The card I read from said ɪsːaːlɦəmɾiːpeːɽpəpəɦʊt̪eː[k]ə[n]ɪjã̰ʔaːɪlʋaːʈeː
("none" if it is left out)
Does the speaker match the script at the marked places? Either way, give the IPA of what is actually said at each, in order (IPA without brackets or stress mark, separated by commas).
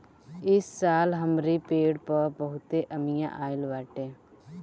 ʔ, m